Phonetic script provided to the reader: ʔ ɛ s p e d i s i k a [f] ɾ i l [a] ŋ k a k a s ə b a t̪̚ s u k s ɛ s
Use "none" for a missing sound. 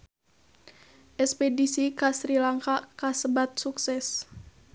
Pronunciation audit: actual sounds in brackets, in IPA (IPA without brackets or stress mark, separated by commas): s, a